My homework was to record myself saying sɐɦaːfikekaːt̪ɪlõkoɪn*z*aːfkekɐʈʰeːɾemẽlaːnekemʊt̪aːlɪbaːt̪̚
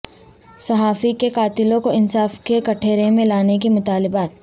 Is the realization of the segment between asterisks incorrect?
yes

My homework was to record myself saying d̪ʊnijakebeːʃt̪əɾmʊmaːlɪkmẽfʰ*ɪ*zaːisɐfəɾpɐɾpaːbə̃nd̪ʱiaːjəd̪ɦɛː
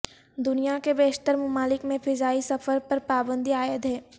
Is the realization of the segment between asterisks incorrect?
no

